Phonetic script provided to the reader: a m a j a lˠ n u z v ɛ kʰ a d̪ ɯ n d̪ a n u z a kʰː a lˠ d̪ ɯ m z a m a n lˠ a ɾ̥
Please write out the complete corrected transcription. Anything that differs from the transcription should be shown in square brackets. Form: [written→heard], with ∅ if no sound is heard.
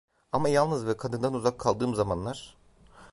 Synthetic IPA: a m a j a lˠ n [u→ɯ] z v ɛ kʰ a d̪ ɯ n d̪ a n u z a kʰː a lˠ d̪ [ɯ→ɯː] m z a m a n lˠ a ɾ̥